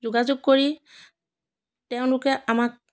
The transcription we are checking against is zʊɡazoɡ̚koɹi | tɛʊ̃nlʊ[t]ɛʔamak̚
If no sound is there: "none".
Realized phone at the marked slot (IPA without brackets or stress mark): k